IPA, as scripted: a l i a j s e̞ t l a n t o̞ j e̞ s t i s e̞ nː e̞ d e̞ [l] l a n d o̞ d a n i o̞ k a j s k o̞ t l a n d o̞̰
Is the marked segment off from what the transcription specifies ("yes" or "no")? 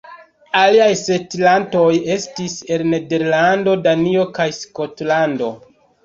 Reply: yes